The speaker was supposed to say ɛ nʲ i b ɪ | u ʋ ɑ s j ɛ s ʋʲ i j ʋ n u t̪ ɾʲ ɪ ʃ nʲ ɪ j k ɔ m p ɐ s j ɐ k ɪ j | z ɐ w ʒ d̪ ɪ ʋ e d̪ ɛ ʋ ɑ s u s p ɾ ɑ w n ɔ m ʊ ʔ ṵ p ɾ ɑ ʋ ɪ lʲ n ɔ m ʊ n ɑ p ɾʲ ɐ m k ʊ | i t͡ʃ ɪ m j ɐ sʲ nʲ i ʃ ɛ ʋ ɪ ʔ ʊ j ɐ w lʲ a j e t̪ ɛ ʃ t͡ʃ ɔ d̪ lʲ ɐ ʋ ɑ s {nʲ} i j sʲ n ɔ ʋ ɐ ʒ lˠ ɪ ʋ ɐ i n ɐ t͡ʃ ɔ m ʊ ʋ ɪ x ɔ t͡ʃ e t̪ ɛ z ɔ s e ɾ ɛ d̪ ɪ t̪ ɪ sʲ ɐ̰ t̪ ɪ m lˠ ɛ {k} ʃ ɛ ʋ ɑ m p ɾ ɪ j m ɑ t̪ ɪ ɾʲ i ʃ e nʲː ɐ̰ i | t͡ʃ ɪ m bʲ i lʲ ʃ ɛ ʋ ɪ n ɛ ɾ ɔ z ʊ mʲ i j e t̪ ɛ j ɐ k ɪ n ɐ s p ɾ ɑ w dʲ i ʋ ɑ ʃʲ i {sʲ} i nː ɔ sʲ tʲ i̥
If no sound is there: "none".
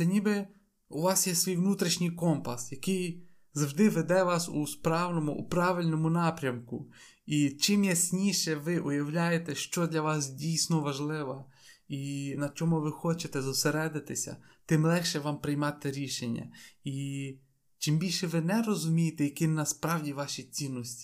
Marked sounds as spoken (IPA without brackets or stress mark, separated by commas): dʲ, x, t͡sʲ